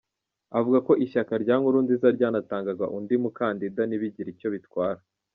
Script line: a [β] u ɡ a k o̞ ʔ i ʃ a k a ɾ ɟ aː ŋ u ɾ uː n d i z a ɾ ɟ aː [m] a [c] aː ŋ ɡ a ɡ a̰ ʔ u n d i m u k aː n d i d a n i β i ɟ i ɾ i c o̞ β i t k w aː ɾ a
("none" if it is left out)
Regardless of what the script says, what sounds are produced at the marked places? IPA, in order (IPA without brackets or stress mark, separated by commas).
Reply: v, n, t